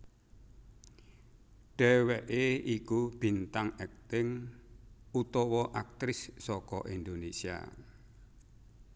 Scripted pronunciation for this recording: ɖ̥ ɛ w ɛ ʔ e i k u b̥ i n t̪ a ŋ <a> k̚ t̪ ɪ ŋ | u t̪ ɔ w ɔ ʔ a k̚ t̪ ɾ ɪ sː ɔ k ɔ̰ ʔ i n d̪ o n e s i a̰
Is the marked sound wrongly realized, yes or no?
yes